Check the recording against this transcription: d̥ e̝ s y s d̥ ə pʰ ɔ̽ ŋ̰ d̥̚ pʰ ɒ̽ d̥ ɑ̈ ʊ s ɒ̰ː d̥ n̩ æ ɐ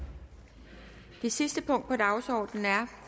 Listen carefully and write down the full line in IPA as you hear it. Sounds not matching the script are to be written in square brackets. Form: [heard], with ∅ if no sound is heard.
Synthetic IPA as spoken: d̥ e̝ s [i] s d̥ ə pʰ ɔ̽ ŋ̰ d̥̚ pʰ ɒ̽ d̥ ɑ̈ ʊ s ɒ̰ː d̥ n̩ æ ɐ